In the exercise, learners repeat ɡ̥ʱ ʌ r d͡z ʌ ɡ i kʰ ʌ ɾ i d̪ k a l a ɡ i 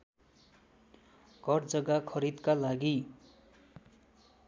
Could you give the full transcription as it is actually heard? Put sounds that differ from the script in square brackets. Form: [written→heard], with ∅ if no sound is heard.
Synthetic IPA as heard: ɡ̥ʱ ʌ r d͡z ʌ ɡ [i→a] kʰ ʌ ɾ i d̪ k a l a ɡ i